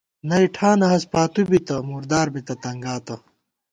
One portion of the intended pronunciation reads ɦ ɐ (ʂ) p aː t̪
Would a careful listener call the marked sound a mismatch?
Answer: yes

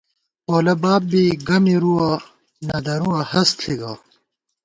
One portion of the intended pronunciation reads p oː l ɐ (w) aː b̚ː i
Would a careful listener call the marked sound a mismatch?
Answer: yes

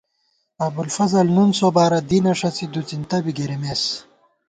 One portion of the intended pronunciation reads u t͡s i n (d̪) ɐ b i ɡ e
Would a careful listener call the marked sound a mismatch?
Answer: yes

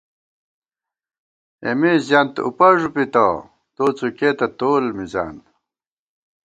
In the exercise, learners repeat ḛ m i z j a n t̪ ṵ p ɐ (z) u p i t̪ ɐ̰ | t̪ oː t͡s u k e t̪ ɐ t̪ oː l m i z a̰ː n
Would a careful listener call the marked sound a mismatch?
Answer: yes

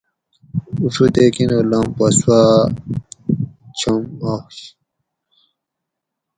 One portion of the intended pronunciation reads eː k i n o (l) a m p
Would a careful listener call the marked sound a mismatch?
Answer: no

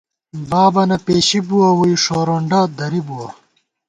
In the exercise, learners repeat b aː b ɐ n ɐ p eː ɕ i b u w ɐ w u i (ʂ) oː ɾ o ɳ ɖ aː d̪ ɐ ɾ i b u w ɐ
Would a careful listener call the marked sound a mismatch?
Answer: no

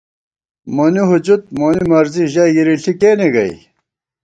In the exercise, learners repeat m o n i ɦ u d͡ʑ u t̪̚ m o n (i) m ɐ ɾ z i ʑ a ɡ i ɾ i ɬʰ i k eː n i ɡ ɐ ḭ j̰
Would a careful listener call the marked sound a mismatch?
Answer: no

